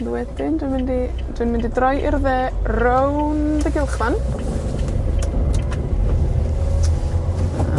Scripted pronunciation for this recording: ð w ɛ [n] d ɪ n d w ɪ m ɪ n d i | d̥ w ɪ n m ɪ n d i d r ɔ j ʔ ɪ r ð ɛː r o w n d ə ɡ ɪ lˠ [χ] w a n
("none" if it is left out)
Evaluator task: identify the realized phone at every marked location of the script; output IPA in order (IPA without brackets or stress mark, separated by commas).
none, χ